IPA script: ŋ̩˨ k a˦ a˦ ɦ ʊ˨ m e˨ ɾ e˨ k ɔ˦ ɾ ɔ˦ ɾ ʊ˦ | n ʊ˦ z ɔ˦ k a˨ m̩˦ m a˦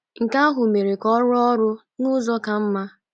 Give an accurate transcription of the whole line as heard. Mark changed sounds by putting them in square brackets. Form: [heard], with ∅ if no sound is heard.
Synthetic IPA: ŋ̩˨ k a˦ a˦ ɦ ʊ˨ m e˨ ɾ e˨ k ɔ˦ ɾ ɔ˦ ɾ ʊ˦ | n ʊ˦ z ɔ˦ k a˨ m̩˦ m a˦